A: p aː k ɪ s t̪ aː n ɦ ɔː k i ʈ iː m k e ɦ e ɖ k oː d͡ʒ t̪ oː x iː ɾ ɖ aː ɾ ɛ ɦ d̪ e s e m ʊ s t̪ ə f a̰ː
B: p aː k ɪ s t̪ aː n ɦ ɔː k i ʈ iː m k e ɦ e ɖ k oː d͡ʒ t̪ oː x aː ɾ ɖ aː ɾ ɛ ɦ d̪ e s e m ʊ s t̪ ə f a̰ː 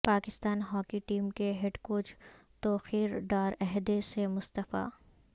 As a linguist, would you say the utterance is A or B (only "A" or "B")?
A